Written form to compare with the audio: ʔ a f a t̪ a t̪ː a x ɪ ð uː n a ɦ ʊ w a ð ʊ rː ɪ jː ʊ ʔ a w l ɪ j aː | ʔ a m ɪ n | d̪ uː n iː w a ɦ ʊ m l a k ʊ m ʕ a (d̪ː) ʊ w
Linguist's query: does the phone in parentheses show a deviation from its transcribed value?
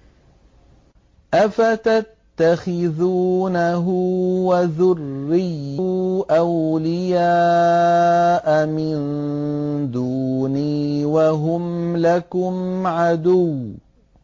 yes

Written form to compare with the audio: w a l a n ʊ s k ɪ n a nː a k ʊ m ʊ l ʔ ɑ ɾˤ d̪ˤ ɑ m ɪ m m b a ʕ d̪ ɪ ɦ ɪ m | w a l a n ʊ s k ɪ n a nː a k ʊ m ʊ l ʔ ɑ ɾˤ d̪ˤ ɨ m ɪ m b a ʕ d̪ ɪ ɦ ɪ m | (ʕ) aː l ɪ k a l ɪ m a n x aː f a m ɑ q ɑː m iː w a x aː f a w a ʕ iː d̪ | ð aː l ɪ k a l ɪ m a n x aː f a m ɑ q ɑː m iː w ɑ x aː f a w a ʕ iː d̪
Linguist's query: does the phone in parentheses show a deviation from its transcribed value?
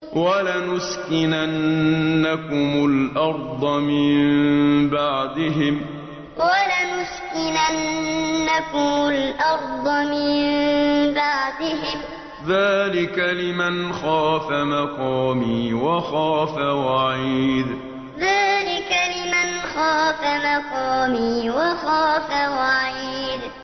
yes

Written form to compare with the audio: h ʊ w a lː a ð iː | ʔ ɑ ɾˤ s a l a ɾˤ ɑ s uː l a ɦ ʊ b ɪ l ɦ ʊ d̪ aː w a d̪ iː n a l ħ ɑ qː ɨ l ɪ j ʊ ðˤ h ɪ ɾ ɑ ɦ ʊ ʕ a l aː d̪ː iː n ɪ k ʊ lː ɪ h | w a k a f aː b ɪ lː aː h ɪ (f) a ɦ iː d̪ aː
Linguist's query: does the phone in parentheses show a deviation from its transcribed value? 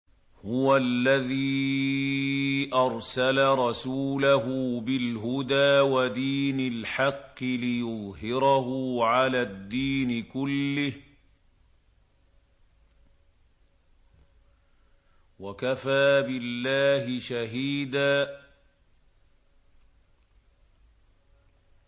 yes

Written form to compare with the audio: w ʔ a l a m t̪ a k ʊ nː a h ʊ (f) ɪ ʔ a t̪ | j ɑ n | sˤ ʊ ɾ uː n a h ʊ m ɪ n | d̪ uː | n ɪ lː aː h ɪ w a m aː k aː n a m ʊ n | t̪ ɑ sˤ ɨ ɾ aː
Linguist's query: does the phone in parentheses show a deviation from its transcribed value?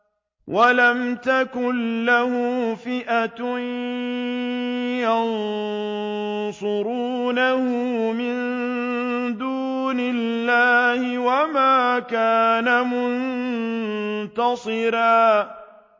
no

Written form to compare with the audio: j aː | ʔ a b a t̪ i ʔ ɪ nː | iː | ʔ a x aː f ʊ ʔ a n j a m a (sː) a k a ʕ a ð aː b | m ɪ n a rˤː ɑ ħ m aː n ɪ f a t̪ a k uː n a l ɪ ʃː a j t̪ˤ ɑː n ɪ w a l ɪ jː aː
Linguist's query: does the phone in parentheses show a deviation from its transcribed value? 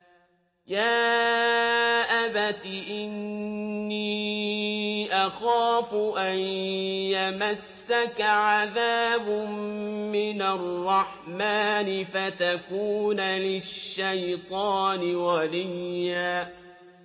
no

